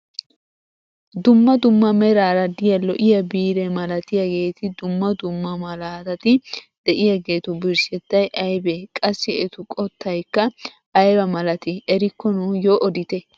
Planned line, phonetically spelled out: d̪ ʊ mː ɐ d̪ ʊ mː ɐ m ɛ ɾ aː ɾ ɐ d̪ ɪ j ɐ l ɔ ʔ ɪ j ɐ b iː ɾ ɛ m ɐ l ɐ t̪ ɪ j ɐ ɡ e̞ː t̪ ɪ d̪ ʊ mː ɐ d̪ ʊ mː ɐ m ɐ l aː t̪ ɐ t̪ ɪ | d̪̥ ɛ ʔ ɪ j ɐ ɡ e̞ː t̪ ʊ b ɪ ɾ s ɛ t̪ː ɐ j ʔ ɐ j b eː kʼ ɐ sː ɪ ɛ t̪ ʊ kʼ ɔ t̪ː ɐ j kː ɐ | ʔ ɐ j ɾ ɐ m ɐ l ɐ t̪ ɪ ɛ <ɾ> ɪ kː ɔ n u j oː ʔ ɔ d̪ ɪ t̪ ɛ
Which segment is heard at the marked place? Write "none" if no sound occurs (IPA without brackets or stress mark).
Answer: ɾ